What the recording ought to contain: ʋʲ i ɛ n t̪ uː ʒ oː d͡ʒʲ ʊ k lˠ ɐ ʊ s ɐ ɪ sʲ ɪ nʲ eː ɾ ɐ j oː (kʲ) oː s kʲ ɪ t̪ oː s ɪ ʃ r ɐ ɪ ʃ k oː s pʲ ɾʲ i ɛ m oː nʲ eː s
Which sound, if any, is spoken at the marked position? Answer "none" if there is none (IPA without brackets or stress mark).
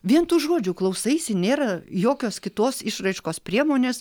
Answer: kʲ